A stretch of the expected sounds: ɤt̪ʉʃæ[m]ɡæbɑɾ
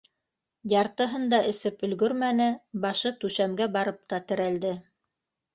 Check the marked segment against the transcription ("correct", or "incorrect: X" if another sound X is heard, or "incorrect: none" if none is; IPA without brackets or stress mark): correct